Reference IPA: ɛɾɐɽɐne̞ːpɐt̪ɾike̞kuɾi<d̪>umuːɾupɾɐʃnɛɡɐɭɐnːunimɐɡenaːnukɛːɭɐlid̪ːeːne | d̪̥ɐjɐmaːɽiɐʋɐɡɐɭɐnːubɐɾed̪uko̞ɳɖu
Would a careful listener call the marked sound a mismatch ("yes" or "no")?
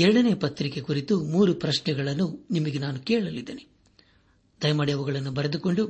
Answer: yes